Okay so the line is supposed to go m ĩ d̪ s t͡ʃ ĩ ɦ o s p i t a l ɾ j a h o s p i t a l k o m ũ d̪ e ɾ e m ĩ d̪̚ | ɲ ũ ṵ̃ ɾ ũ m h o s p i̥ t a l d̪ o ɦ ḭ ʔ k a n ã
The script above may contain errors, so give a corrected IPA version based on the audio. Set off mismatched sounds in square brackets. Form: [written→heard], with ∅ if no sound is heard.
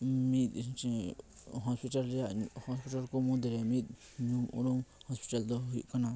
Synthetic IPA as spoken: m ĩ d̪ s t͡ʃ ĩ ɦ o s p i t a l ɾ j a h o s p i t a l k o m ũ d̪ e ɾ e m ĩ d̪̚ | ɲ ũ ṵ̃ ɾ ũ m h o s p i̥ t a l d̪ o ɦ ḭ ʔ k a n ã